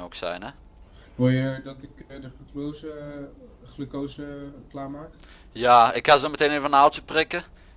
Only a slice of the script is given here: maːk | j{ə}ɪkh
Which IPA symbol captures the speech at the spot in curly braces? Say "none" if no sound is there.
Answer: a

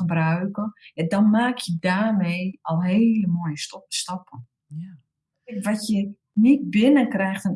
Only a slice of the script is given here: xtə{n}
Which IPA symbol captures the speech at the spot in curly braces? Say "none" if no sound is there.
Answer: n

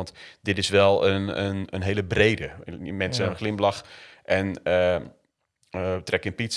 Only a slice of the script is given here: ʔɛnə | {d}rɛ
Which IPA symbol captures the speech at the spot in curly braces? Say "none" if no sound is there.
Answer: t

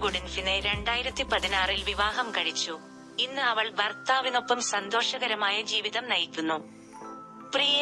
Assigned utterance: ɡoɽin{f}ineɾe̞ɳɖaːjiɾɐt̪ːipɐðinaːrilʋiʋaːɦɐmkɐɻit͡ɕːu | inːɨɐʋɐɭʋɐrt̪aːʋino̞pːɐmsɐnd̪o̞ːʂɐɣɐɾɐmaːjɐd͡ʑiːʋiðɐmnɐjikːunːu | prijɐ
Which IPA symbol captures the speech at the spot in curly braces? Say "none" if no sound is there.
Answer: f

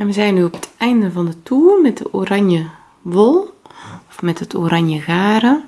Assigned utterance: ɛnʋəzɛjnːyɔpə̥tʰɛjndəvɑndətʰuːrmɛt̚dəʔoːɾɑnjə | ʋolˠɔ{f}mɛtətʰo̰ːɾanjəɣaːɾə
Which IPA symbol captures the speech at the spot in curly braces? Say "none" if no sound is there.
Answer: f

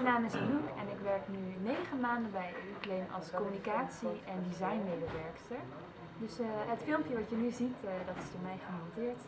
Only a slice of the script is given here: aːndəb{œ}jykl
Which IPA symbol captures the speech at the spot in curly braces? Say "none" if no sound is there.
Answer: ɛ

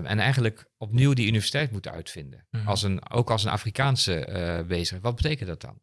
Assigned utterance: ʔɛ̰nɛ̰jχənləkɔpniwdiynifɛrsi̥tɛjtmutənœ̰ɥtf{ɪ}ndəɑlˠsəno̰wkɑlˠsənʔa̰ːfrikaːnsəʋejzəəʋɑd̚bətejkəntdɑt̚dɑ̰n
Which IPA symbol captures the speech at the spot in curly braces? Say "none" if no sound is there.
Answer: ɪ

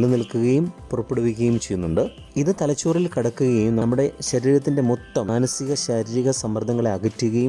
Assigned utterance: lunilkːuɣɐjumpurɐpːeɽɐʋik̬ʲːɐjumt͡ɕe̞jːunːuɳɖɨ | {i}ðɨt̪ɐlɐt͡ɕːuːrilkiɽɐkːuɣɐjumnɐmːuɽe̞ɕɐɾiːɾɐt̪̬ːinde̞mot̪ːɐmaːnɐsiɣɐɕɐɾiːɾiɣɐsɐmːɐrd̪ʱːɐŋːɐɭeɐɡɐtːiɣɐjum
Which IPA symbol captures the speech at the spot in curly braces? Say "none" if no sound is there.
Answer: i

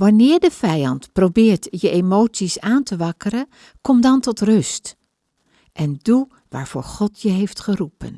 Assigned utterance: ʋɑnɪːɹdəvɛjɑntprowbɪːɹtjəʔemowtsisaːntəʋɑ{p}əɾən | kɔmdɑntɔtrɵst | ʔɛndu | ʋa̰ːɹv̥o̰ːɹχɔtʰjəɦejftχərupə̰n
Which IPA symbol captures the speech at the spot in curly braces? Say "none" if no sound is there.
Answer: k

